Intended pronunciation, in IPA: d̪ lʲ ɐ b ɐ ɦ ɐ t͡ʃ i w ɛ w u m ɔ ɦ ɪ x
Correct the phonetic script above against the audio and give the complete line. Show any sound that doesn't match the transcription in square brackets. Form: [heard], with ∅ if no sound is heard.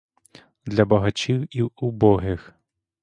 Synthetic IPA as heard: d̪ lʲ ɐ b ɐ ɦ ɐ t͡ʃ i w [i] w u [b] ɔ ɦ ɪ x